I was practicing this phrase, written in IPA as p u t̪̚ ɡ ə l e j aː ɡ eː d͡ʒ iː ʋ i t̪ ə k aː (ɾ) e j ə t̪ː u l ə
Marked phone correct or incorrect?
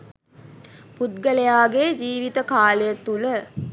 incorrect